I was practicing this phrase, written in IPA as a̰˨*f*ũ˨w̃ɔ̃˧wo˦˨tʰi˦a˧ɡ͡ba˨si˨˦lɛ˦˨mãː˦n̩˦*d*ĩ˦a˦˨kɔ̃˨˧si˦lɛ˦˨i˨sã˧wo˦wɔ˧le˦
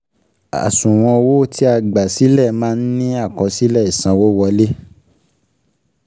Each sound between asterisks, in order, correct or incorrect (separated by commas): incorrect, incorrect